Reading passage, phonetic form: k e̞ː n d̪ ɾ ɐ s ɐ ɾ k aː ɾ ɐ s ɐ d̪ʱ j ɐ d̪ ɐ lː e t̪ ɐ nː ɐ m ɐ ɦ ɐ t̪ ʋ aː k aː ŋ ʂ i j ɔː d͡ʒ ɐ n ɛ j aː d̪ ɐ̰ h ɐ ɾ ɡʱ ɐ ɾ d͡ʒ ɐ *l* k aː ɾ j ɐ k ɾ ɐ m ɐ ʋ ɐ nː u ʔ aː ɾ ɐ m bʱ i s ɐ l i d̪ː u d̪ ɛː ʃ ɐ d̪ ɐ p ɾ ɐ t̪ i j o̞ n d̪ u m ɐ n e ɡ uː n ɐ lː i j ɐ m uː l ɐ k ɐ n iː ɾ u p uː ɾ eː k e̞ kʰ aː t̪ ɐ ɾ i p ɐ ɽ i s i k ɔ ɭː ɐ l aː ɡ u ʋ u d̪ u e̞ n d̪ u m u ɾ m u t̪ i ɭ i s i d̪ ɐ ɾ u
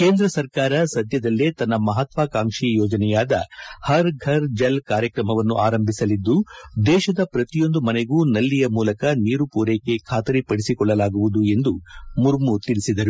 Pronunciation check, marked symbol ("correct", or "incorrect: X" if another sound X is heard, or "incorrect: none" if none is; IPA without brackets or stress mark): correct